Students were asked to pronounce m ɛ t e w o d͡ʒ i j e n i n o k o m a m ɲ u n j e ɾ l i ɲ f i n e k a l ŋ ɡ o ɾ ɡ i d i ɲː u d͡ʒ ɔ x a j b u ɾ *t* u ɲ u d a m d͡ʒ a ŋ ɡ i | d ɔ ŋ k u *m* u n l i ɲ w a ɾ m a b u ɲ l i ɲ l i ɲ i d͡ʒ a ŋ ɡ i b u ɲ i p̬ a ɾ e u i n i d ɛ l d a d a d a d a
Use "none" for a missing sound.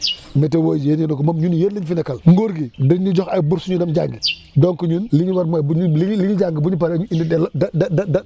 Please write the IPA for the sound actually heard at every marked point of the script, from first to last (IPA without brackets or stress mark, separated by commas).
s, ɲ